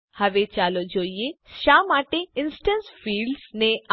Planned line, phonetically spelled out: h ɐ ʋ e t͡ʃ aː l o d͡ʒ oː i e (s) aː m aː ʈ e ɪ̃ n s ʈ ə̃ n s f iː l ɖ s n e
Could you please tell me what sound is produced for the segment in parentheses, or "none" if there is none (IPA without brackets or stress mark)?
ʃ